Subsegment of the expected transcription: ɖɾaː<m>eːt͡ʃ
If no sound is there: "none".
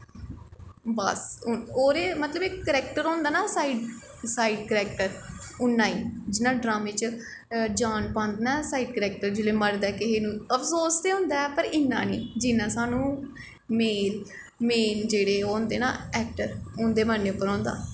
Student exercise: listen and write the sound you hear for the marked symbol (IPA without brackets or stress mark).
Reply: m